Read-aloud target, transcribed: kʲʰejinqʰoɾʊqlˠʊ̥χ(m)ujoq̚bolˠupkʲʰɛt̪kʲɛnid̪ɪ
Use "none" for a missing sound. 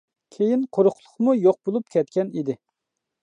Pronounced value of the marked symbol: m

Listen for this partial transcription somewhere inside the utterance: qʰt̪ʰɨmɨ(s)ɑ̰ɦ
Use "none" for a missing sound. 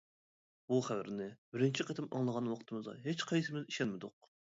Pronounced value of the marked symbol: z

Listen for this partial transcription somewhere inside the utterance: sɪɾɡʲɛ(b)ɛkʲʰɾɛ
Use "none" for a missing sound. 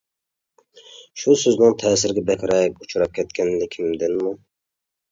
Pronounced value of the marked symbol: b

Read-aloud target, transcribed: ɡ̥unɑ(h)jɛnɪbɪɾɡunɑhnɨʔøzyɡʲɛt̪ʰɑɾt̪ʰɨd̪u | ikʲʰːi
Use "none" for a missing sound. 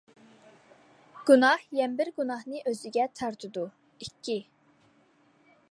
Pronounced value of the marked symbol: h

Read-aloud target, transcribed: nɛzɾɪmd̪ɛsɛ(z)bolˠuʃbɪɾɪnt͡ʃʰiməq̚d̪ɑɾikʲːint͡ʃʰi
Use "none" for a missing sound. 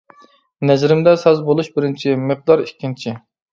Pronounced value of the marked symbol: z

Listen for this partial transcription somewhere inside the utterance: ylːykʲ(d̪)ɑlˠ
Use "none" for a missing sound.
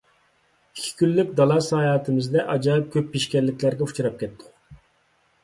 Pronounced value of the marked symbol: d̪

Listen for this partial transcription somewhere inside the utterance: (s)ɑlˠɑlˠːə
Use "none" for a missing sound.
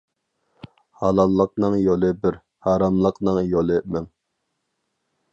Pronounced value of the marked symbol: h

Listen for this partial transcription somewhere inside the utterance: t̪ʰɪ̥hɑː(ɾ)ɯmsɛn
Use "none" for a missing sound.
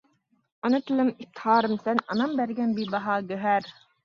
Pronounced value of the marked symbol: ɾ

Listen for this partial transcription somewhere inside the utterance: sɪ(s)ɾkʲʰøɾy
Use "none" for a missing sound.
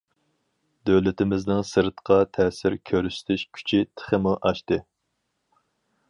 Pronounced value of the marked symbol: none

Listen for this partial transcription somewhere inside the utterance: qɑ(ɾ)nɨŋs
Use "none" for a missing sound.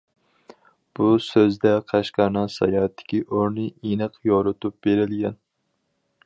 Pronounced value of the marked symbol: ɾ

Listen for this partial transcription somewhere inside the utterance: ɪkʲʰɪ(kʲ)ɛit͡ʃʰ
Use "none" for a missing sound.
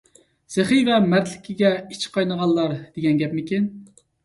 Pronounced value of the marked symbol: ɡʲ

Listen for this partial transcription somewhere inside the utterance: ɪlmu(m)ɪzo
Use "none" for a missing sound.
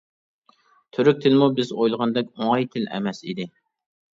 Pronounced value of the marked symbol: b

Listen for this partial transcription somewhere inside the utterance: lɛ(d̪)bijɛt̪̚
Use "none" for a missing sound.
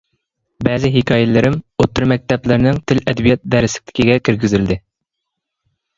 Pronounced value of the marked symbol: d̪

